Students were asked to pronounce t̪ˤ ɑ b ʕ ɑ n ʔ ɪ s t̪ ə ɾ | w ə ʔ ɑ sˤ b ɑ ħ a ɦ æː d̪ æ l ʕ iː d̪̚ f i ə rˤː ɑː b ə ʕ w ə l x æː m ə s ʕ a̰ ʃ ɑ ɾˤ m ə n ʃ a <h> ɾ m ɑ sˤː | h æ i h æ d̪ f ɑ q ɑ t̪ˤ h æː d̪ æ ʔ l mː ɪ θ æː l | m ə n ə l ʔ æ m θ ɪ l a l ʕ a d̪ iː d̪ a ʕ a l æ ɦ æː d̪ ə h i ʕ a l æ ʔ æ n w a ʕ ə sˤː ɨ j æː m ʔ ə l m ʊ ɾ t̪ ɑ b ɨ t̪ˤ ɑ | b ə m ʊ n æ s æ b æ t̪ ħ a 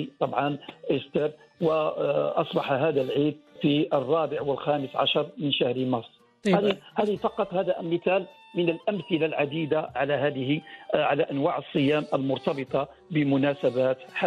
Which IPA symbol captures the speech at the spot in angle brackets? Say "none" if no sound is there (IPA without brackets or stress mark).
h